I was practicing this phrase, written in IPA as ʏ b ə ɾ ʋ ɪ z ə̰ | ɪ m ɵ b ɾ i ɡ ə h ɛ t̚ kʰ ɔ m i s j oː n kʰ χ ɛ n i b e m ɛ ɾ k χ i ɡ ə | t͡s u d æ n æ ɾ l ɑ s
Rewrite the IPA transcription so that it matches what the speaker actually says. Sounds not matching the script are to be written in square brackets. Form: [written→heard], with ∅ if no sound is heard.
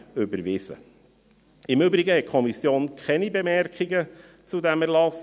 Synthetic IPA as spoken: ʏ b ə ɾ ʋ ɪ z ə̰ | ɪ m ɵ b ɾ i ɡ ə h ɛ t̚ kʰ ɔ m i s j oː n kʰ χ ɛ n i b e m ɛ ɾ k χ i ɡ ə | t͡s u d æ [n→m] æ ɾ l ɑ s